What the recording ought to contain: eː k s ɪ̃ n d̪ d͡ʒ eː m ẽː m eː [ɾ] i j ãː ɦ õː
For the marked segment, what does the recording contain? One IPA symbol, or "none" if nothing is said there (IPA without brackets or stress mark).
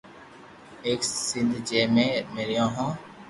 ɾ